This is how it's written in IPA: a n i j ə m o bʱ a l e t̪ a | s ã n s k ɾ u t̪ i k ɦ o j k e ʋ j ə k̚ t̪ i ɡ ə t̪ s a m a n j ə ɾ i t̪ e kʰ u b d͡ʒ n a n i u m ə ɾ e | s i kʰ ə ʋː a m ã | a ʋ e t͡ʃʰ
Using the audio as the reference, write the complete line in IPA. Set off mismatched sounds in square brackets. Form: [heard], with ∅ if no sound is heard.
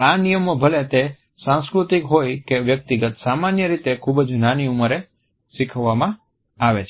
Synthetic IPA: a n i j ə m o bʱ [ə] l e t̪ [e] | s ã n s k ɾ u t̪ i k ɦ o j k e ʋ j ə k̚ t̪ i ɡ ə t̪ s a m a n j ə ɾ i t̪ e kʰ u b d͡ʒ n a n i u m ə ɾ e | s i kʰ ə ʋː a m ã | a ʋ e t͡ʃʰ